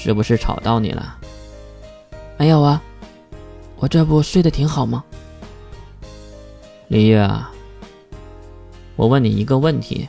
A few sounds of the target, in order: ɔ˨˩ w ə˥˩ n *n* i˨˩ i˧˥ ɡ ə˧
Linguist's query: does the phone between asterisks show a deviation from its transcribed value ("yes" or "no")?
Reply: no